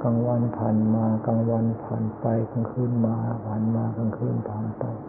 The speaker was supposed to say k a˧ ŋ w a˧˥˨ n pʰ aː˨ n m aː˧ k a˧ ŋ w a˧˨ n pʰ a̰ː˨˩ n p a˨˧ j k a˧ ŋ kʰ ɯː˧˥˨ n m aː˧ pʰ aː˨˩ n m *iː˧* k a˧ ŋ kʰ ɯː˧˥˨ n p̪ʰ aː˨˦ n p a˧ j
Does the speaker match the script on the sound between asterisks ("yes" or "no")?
no